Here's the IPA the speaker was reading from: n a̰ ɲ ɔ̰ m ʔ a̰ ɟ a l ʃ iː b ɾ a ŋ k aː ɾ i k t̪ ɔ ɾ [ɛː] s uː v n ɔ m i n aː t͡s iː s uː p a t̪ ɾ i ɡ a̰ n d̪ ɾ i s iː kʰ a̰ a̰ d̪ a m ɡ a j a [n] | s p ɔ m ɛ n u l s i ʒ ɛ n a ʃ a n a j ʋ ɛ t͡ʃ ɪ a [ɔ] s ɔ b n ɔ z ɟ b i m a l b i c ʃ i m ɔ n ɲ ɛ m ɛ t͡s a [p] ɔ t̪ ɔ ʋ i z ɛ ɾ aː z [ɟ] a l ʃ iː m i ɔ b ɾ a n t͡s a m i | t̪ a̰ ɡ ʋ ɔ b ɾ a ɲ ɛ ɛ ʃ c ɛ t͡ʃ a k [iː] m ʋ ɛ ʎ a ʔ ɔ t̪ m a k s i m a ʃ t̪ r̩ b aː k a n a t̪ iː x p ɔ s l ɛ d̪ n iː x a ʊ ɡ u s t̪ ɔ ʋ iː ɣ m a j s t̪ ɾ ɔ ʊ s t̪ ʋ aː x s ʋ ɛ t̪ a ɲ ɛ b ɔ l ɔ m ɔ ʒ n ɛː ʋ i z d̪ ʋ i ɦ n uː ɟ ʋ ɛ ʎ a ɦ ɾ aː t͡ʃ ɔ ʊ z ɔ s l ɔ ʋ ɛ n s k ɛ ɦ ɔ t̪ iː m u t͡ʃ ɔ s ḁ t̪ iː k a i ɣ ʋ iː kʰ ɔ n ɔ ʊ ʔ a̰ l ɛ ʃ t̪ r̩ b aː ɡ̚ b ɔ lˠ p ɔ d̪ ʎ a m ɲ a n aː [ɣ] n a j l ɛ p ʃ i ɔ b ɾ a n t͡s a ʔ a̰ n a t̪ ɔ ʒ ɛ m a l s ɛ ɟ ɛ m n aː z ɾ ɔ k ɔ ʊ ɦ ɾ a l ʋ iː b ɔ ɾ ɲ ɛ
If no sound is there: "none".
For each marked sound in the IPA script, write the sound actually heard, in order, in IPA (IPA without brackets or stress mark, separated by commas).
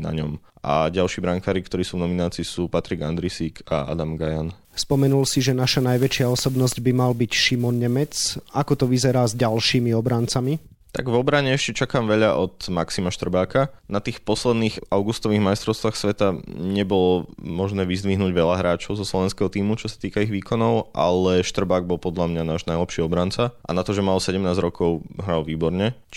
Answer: iː, n, ɔ, k, ɟ, aː, ʒ